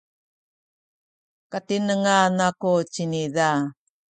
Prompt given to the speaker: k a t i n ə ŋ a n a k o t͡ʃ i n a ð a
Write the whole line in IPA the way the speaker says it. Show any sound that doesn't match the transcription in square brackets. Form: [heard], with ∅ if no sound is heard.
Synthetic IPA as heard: k a t i n ə ŋ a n a k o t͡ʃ i n [i] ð a